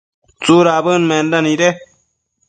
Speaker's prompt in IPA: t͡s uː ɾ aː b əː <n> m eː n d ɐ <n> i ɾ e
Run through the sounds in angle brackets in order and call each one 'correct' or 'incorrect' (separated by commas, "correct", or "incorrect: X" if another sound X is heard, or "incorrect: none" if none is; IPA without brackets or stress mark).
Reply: correct, correct